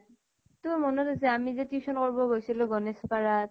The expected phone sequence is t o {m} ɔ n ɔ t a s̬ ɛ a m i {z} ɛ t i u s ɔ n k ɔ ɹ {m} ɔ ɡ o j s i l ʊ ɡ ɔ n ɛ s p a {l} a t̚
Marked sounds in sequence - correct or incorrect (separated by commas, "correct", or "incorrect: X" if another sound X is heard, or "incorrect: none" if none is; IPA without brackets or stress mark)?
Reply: correct, correct, incorrect: b, incorrect: ɹ